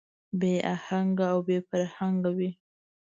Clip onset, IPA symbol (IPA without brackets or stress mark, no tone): b